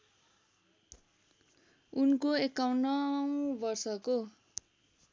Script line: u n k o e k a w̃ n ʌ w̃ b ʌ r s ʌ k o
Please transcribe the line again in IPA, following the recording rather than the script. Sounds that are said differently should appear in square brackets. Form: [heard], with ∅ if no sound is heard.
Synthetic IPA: u n k o e k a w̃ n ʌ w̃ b ʌ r s ʌ k o